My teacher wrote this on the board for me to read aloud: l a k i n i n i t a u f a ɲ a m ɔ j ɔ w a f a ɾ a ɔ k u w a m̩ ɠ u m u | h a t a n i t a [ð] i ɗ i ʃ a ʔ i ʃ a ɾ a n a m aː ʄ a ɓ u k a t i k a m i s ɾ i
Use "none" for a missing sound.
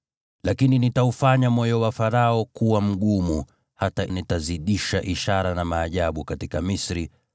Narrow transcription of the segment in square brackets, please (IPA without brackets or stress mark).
z